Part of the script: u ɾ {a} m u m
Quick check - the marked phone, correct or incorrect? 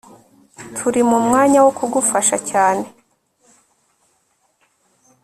incorrect